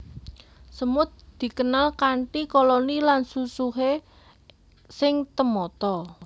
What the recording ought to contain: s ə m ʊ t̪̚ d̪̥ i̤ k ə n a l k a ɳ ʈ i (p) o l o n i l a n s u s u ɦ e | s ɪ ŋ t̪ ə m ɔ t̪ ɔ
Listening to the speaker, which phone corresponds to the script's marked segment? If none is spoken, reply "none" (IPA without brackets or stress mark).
k